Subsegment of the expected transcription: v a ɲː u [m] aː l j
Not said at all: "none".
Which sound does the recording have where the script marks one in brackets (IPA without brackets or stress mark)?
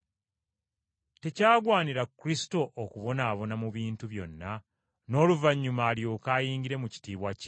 m